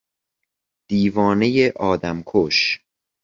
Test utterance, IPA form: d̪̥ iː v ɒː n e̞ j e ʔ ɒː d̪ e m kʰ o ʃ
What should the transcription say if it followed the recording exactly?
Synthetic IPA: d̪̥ iː v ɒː n e̞ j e ʔ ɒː d̪ æ m kʰ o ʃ